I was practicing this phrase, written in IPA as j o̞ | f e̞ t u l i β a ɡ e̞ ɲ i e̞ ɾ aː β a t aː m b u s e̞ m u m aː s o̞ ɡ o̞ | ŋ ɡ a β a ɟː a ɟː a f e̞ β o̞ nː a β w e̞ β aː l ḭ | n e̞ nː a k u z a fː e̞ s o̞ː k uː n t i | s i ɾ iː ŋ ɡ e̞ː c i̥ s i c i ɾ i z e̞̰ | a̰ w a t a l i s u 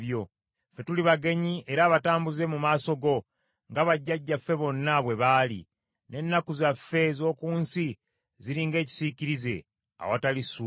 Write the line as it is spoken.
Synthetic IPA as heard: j o̞ | f e̞ t u l i β a ɡ e̞ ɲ i e̞ ɾ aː β a t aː m b u z e̞ m u m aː s o̞ ɡ o̞ | ŋ ɡ a β a ɟː a ɟː a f e̞ β o̞ nː a β w e̞ β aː l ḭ | n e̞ nː a k u z a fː e̞ z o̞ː k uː n s i | z i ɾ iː ŋ ɡ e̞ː c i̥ s i c i ɾ i z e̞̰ | a̰ w a t a l i s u